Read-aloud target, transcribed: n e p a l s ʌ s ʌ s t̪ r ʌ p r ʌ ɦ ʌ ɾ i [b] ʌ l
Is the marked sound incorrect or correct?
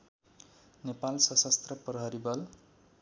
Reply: correct